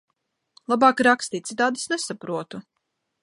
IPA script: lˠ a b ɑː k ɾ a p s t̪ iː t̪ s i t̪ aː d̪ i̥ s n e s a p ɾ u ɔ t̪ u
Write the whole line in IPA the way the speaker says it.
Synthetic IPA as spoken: lˠ a b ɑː k ɾ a k s t̪ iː t̪ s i t̪ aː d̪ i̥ s n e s a p ɾ u ɔ t̪ u